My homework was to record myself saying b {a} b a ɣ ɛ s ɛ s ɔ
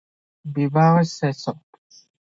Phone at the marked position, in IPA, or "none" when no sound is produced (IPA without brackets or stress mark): i